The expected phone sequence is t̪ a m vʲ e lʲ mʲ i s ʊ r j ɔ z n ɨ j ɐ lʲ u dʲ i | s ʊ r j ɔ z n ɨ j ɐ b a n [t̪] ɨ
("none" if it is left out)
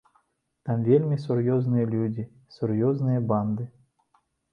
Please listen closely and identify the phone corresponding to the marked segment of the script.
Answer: d̪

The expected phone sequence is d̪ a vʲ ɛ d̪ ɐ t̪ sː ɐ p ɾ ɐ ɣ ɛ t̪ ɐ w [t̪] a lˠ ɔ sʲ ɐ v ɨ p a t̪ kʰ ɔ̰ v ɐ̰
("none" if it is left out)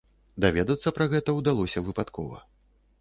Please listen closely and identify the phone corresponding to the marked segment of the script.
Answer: d̪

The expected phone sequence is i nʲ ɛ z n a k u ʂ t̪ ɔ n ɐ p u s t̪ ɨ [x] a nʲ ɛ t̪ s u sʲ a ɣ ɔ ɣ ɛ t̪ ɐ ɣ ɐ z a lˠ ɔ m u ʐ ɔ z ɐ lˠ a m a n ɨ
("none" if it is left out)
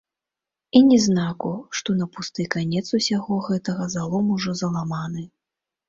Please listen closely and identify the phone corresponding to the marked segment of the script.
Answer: k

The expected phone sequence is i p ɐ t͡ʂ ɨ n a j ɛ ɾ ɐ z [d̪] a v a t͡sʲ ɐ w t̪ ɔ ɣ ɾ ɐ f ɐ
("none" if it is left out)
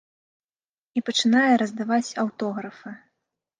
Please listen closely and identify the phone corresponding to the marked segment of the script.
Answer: d̪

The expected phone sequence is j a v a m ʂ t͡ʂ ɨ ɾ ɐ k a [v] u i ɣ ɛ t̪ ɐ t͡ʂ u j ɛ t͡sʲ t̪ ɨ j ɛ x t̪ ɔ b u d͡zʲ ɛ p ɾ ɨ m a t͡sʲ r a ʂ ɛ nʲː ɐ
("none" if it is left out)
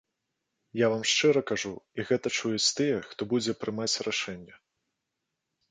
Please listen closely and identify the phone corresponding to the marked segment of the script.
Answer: ʐ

